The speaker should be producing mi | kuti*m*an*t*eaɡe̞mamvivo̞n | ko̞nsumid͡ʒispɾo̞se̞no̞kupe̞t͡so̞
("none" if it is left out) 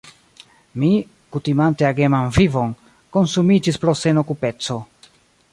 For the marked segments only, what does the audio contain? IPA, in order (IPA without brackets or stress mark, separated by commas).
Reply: m, t